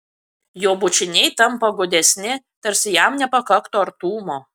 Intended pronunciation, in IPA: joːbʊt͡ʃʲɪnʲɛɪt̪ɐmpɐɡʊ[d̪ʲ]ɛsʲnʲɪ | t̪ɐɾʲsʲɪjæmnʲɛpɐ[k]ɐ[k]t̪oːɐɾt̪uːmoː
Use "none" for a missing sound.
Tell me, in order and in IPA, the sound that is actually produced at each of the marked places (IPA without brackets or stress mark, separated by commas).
d̪ʲ, k, k